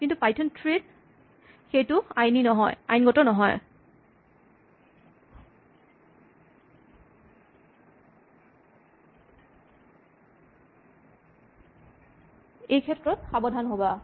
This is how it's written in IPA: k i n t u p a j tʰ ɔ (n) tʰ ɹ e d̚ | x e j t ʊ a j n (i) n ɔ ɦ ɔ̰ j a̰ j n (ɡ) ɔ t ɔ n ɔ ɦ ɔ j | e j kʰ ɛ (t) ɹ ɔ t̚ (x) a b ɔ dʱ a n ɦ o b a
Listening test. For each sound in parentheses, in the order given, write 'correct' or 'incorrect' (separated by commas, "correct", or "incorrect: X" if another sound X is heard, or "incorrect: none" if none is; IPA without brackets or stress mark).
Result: correct, correct, correct, correct, correct